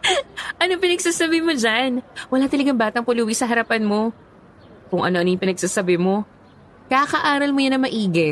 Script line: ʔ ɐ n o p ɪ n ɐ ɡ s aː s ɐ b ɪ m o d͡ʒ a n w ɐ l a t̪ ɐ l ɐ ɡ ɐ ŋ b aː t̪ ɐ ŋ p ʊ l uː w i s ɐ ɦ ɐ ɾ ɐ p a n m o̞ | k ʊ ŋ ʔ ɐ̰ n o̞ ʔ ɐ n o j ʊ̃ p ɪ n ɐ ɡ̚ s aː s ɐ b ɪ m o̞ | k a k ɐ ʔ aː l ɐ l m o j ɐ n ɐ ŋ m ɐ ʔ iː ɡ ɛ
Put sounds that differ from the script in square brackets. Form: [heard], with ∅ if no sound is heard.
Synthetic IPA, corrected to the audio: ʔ ɐ n o p ɪ n ɐ ɡ s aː s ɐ b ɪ m o d͡ʒ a n w ɐ l a t̪ ɐ l ɐ ɡ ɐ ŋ b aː t̪ ɐ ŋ p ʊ l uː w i s ɐ ɦ ɐ ɾ ɐ p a n m o̞ | k ʊ ŋ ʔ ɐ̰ n o̞ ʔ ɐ n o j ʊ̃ p ɪ n ɐ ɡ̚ s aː s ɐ b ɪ m o̞ | k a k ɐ ʔ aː [ɾ] ɐ l m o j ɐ n ɐ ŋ m ɐ ʔ iː ɡ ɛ